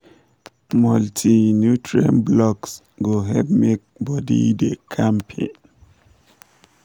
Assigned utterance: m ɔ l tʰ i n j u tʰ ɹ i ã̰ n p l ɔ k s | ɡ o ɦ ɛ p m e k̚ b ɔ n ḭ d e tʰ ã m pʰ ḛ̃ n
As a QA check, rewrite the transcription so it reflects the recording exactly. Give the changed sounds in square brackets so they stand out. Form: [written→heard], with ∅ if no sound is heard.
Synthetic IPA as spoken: m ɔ l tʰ i n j u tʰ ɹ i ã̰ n [p→b] l ɔ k s | ɡ o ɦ ɛ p m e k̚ b ɔ [n→d] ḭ d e [tʰ→kʰ] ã m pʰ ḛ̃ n

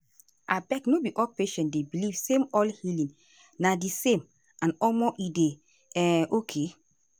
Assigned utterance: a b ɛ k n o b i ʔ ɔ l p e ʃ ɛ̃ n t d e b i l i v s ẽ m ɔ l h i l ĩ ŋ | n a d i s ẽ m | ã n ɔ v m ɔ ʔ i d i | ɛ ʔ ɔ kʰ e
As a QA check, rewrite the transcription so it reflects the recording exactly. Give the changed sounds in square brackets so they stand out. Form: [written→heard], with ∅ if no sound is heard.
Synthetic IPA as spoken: a b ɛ k n o b i ʔ ɔ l p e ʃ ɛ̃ n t d e b i l i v s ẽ m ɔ l h i l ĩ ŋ | n a d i s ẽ m | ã n ɔ [v→∅] m ɔ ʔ i d [i→e] | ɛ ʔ [ɔ→o] kʰ e

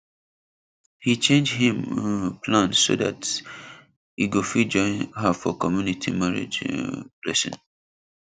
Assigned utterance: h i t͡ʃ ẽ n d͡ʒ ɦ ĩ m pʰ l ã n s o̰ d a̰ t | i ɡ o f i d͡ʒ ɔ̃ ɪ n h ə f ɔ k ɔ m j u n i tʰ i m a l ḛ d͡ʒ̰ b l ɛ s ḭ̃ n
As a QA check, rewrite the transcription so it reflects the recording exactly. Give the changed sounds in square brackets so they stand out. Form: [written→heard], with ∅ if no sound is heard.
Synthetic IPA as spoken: h i t͡ʃ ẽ n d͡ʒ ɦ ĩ m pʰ l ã n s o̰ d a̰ t | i ɡ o f i d͡ʒ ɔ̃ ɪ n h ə f ɔ k ɔ m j u n i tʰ i m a [l→ɹ] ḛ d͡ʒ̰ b l ɛ s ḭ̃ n

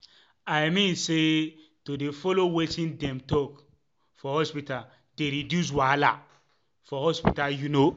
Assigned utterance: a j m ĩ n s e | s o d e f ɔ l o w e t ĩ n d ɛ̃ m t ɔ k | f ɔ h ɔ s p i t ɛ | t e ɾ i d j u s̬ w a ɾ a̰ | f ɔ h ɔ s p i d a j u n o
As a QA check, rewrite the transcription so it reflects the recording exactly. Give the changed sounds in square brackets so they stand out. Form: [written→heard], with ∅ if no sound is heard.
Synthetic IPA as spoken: a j m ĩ n s e | [s→t] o d e f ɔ l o w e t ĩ n d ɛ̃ m t ɔ k | f ɔ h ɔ s p i t [ɛ→a] | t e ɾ i d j u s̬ w a [ɾ→l] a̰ | f ɔ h ɔ s p i [d→t] a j u n o

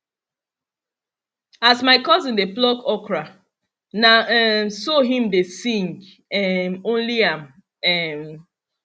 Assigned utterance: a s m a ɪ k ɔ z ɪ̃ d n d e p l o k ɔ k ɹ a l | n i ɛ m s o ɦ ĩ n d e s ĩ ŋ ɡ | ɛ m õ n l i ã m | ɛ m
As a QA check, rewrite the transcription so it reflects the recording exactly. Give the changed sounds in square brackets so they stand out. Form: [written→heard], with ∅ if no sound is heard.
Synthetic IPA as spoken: a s m a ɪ k ɔ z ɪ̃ [d→∅] n d e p l [o→ɔ] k ɔ k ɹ a [l→∅] | n [i→a] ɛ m s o ɦ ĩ [n→m] d e s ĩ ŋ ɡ | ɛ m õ n l i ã m | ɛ m

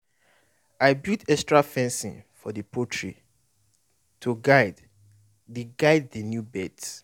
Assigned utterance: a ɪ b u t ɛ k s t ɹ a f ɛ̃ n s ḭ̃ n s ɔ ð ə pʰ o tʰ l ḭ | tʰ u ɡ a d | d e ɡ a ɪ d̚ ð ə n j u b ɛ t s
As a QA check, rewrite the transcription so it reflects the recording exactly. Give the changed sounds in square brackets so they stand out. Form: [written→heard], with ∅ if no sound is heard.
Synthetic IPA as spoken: a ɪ b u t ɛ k s t ɹ a f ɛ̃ n s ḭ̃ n [s→f] ɔ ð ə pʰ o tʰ [l→ɹ] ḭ | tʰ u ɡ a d | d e ɡ a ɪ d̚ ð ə n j u b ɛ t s

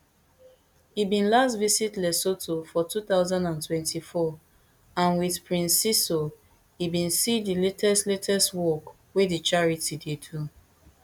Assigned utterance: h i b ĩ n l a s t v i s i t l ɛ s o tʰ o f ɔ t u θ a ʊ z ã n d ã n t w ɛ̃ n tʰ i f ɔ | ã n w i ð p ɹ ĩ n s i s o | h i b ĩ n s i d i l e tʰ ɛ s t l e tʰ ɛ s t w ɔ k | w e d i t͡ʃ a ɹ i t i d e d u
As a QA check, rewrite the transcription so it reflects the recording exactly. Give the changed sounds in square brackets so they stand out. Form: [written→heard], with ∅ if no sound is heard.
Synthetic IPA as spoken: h i b ĩ n l a s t v i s i t l ɛ s o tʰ o f ɔ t u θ a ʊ z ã n d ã n t w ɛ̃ n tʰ i f ɔ | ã n w i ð p ɹ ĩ n s i s o | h i b ĩ n s i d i l e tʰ ɛ s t l e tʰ ɛ s t w ɔ k | w e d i t͡ʃ a ɹ i t i d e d u

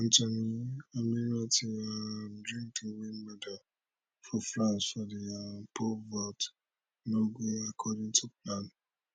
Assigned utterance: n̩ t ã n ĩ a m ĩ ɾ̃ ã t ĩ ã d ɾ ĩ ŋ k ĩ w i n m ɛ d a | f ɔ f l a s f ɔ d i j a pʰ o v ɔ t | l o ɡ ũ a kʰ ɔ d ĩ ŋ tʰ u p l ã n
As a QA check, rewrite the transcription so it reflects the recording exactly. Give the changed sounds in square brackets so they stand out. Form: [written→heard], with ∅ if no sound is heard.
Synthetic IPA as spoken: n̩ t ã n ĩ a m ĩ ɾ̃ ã t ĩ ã d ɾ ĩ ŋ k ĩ w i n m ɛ d a | f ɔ f l a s f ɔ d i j a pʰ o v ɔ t | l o ɡ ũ a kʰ ɔ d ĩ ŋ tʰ u p l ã n

